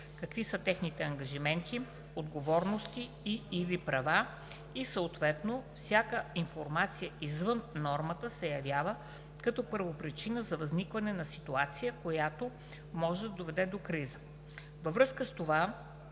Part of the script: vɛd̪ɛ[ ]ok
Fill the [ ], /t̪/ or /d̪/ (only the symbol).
d̪